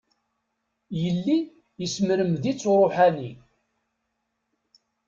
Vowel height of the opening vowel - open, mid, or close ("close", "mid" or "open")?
mid